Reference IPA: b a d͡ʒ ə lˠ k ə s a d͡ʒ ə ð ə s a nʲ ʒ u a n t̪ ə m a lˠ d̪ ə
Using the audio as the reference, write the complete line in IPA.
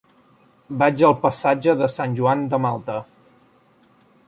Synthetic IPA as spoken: b a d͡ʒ ə lˠ p ə s a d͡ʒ ə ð ə s a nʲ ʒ u a n d̪ ə m a lˠ t̪ ə